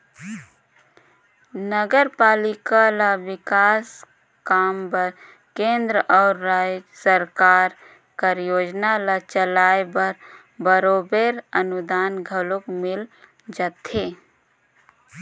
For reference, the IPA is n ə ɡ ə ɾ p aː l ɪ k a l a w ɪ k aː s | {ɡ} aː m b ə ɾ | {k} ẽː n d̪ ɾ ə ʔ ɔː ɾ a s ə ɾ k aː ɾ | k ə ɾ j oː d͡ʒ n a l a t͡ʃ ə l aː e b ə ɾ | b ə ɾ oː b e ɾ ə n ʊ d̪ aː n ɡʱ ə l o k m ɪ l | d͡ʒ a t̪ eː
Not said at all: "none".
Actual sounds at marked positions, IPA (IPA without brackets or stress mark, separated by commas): k, k